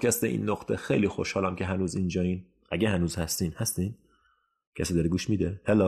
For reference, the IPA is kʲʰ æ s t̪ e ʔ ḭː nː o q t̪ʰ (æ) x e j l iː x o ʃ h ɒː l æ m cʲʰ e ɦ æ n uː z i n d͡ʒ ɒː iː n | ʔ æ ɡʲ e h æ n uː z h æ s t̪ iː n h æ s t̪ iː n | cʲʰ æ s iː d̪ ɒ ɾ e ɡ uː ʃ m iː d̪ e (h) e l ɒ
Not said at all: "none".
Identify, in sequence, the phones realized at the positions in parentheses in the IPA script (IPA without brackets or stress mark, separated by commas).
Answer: e, h